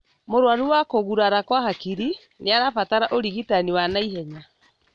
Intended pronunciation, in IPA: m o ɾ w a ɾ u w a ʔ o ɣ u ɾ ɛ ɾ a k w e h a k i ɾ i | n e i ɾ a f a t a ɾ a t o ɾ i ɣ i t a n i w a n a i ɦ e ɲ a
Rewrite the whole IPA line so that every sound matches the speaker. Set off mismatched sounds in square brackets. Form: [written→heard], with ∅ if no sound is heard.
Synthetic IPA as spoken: m o ɾ w a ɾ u w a [ʔ→k] o ɣ u ɾ [ɛ→a] ɾ a k w [e→a] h a k i ɾ i | n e [i→a] ɾ a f a t a ɾ a [t→ʔ] o ɾ i ɣ i t a n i w a n a i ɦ [e→ɛ] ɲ a